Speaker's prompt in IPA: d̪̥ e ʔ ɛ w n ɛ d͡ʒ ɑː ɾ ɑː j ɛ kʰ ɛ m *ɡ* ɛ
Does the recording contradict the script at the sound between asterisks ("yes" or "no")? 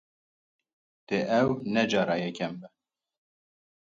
yes